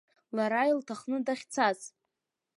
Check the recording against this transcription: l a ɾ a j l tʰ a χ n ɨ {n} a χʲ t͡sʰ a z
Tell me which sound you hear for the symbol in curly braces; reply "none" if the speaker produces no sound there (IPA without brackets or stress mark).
d